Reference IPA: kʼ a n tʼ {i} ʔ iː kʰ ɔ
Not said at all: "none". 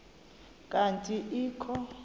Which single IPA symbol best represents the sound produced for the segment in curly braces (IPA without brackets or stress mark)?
i